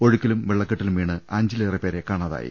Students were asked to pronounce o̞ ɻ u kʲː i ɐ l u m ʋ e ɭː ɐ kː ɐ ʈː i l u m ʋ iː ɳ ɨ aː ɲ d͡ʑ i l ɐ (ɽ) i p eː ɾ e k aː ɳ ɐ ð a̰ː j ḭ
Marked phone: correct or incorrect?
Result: incorrect